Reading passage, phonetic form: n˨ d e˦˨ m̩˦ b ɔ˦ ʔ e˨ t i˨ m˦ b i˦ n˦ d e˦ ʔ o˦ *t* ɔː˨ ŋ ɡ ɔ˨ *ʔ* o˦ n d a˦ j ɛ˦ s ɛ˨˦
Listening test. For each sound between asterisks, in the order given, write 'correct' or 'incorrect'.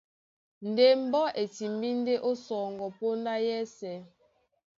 incorrect: s, incorrect: p

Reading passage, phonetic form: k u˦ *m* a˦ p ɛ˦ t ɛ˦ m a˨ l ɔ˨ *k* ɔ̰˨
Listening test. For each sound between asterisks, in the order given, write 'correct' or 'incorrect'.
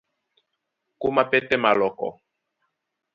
correct, correct

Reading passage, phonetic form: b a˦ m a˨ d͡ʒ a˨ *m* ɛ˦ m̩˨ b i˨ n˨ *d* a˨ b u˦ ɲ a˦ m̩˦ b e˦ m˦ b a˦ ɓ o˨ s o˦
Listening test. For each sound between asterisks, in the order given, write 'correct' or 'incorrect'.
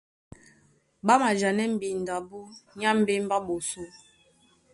incorrect: n, correct

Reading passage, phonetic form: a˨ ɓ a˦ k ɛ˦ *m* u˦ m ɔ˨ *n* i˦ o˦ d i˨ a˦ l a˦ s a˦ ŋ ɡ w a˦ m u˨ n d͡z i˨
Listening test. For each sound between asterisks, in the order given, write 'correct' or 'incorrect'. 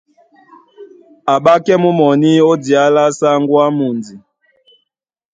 correct, correct

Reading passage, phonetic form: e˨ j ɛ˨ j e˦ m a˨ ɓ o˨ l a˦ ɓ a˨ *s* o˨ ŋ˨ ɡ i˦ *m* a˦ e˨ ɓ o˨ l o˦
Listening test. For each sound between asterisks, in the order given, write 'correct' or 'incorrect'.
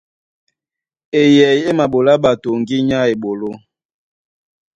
incorrect: t, incorrect: ɲ

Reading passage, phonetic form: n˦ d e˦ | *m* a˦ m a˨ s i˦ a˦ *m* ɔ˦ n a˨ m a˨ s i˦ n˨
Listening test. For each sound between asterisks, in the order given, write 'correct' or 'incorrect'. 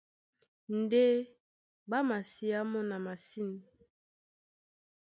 incorrect: b, correct

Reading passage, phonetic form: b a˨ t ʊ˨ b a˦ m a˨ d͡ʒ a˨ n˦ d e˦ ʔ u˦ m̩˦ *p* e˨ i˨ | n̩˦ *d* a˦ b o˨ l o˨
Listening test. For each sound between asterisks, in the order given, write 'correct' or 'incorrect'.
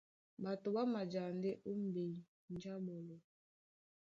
incorrect: b, incorrect: d͡ʒ

